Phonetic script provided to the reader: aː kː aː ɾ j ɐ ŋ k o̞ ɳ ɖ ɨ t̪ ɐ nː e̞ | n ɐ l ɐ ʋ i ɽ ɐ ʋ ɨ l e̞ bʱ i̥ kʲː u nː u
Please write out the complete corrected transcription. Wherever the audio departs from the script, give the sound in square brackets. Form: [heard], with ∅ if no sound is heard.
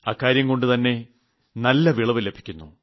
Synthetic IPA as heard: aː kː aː ɾ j ɐ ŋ k o̞ ɳ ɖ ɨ t̪ ɐ nː e̞ | n ɐ [lː] ɐ ʋ i [ɭ] ɐ ʋ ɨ l e̞ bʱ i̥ kʲː u nː u